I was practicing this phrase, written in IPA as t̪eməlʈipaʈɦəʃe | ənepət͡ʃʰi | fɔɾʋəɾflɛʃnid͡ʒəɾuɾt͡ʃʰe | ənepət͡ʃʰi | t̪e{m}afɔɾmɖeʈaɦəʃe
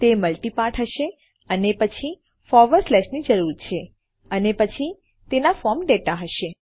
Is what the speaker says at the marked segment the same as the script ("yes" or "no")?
no